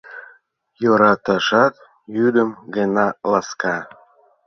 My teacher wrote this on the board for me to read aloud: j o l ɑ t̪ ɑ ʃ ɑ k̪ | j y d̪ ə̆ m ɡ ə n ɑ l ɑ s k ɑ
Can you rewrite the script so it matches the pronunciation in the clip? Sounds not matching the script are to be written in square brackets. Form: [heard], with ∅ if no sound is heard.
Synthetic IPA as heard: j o [ɾ] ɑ t̪ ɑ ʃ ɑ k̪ | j y d̪ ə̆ m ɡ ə n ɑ l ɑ s k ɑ